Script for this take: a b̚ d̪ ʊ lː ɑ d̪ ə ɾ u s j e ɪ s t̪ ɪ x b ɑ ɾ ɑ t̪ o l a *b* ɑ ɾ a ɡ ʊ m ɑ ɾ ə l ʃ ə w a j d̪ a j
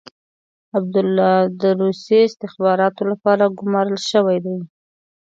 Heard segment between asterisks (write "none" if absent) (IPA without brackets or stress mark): p